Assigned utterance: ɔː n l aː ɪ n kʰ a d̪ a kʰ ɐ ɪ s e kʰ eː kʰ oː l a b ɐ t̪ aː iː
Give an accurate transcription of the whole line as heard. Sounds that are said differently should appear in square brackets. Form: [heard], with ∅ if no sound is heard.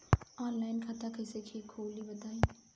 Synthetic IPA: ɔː n l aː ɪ n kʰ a [t̪] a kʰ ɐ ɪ s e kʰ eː kʰ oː l [i] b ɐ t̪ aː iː